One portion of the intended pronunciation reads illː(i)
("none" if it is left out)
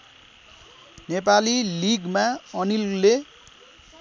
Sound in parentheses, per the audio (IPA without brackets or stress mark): e